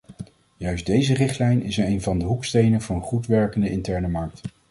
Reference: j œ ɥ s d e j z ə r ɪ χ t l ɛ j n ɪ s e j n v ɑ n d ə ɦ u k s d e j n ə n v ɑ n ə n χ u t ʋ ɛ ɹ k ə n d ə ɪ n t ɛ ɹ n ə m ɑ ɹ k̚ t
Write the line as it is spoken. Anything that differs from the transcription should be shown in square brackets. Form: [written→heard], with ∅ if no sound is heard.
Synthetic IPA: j œ ɥ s d e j z ə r ɪ χ t l ɛ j n ɪ s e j n v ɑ n d ə ɦ u k s [d→t] e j n ə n v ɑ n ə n χ u t ʋ ɛ ɹ k ə n d ə ɪ n t ɛ ɹ n ə m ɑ ɹ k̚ t